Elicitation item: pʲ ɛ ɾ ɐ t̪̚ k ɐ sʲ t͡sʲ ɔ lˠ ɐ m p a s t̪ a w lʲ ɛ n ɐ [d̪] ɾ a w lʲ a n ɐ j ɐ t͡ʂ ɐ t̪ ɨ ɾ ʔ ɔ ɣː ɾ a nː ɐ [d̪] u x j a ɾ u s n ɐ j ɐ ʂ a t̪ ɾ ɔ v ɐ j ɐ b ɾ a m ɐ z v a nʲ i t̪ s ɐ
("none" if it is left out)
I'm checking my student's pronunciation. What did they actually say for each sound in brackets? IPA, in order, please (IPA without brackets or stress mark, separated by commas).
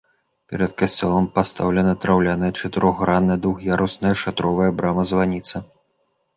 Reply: t̪, d̪